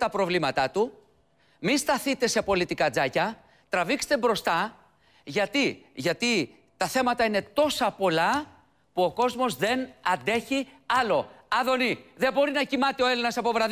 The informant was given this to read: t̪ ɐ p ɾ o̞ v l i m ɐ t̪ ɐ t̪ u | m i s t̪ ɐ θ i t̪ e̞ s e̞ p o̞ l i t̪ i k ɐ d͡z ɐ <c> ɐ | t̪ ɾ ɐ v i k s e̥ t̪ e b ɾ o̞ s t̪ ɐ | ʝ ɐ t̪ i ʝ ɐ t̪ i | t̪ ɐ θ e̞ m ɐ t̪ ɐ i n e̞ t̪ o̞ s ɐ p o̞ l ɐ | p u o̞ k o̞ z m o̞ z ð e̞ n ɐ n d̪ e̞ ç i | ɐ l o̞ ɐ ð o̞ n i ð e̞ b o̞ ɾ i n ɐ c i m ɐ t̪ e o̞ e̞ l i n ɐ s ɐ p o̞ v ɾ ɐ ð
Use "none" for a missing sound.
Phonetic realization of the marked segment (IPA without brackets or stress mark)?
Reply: c